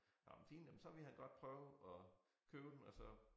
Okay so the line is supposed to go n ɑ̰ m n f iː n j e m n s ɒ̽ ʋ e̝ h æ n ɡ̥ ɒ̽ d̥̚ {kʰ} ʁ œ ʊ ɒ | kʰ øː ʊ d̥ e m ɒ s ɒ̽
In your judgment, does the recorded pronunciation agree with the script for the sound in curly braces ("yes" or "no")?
no